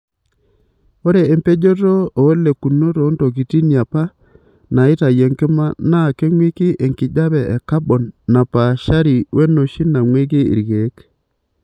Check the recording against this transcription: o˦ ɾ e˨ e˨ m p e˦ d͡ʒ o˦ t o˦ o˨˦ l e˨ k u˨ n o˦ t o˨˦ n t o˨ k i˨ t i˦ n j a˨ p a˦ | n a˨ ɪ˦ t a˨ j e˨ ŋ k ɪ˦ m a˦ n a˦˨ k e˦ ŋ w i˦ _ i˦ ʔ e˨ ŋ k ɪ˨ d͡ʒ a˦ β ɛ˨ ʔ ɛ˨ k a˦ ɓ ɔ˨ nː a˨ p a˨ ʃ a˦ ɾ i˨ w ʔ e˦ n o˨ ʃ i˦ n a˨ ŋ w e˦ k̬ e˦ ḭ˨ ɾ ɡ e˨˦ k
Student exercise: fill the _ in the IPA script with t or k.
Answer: k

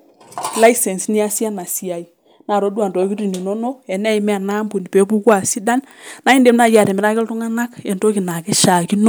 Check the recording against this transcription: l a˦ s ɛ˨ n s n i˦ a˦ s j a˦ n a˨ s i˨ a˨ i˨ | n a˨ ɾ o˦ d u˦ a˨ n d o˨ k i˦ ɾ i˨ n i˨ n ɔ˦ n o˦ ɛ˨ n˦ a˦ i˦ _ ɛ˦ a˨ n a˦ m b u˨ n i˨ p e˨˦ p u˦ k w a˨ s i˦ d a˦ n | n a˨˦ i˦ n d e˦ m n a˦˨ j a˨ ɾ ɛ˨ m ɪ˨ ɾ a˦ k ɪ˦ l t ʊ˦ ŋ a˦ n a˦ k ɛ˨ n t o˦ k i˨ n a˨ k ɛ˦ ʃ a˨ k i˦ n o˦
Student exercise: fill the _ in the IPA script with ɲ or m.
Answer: m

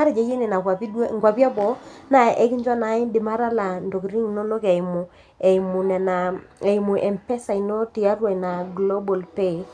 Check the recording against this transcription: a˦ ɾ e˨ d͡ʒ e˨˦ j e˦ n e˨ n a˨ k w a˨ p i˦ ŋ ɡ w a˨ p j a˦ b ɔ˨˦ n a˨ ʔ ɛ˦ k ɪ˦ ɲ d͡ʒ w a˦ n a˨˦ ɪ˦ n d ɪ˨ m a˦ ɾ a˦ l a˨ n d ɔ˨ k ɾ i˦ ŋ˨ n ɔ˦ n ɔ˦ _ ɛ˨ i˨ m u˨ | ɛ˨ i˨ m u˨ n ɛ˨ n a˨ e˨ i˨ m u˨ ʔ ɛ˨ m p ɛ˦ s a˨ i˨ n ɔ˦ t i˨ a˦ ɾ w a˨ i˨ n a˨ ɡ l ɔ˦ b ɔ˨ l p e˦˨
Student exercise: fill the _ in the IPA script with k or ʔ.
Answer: k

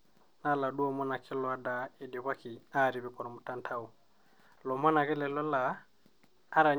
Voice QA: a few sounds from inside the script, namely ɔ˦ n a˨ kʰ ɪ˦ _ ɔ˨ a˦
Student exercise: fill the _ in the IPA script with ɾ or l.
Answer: l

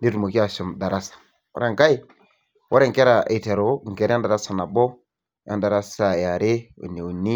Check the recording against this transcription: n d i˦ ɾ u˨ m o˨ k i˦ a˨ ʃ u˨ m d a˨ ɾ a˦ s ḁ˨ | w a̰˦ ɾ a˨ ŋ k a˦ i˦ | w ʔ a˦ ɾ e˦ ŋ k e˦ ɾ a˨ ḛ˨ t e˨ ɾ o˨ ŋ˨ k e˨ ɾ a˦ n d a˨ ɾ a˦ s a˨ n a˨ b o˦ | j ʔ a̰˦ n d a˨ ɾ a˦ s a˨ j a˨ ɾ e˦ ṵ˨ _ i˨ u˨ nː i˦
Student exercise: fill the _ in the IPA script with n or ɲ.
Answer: n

